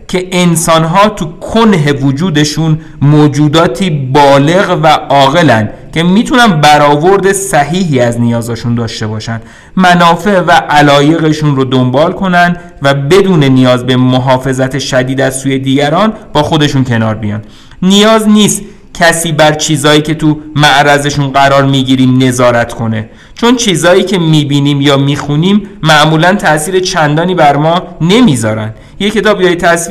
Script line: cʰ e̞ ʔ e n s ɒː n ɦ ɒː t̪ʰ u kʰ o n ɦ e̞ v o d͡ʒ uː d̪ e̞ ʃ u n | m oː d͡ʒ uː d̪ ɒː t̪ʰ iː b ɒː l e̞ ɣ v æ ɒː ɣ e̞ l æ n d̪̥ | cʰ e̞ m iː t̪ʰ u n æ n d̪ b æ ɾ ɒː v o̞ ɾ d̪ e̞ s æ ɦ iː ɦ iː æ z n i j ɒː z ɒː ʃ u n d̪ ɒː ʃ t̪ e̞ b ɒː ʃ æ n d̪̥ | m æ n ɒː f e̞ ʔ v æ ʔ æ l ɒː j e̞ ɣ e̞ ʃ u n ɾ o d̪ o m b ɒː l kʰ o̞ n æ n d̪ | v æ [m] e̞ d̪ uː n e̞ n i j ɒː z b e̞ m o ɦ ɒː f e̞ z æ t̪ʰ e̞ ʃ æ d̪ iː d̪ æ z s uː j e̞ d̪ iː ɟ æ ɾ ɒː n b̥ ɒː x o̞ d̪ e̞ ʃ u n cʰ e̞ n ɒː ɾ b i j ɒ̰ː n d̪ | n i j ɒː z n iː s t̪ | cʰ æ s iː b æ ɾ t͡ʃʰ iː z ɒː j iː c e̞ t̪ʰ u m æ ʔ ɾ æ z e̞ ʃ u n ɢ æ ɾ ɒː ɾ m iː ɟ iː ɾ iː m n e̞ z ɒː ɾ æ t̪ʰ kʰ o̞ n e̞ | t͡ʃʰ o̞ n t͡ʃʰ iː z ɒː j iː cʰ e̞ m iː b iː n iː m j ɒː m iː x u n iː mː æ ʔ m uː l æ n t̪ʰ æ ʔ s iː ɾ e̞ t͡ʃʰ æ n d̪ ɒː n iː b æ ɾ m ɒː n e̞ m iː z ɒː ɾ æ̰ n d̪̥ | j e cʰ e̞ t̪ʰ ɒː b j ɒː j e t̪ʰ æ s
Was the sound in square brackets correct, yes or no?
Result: no